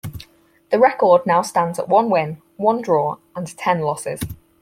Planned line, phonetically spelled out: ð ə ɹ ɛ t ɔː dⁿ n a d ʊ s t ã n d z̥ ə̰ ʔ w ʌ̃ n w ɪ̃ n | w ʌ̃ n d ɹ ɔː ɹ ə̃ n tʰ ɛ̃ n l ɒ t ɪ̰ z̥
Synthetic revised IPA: ð ə ɹ ɛ k ɔː dⁿ n a ʊ s t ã n d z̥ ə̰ ʔ w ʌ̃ n w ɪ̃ n | w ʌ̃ n d ɹ ɔː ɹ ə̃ n tʰ ɛ̃ n l ɒ s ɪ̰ z̥